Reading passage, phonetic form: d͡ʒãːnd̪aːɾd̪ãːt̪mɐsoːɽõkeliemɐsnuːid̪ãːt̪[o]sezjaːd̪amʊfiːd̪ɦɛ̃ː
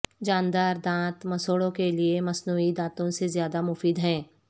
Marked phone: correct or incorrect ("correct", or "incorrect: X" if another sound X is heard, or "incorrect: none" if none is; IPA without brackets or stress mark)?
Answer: incorrect: õ